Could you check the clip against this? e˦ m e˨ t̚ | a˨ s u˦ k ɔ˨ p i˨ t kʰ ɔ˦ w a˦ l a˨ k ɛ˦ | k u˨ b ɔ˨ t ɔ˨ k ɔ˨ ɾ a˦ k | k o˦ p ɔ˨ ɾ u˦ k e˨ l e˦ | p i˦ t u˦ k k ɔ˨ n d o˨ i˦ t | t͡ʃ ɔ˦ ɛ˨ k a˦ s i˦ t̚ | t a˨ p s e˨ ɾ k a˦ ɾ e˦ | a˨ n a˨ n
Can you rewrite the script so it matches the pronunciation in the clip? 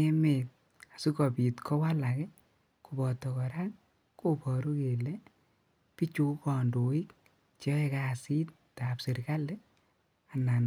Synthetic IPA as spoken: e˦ m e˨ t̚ | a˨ s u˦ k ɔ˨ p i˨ t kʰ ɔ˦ w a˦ l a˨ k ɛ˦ | k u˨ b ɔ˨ t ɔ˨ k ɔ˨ ɾ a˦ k | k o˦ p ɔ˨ ɾ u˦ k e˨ l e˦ | p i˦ t͡ʃ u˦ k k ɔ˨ n d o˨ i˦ k | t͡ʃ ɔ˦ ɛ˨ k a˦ s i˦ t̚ | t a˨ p s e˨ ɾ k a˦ l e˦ | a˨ n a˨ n